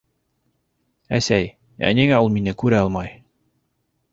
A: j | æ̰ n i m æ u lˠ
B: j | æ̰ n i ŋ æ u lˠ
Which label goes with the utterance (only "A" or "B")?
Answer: B